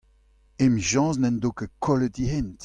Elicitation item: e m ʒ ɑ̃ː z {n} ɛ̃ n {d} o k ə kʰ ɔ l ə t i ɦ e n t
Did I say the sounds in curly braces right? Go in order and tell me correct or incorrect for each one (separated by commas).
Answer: correct, correct